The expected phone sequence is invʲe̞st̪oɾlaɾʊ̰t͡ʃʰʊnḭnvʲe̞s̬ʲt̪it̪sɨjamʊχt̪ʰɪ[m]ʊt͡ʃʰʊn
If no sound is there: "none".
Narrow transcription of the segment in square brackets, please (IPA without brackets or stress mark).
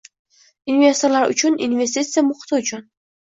none